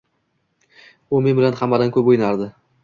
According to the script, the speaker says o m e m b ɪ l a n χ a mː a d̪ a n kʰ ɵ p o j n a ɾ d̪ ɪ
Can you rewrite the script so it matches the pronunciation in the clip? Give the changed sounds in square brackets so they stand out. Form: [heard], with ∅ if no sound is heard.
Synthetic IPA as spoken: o m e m b ɪ l a n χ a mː a d̪ a n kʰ ɵ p o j n a ɾ d̪ ɪ